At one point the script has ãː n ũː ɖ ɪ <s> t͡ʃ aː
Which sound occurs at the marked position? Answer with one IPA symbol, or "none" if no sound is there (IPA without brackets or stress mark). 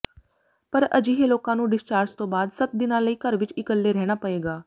s